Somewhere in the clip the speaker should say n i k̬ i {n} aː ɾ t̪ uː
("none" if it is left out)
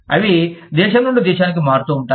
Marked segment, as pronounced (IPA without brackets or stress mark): m